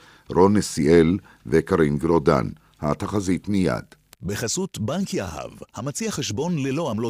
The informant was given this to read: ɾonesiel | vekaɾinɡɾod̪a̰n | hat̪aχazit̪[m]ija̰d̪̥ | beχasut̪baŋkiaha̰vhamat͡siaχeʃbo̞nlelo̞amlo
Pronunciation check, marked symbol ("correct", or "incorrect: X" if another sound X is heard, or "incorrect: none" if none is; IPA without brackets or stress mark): correct